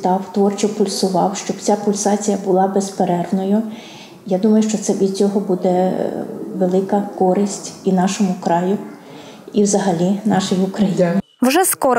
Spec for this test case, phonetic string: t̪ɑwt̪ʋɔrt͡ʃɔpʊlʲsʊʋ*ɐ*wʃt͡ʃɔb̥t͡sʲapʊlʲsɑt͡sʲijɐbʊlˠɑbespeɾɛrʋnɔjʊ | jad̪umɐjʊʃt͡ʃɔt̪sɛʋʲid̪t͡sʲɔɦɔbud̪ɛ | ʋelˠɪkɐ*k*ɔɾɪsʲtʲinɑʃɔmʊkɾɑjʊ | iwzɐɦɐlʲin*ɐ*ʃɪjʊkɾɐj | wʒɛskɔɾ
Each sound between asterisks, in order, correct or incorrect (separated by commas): incorrect, correct, incorrect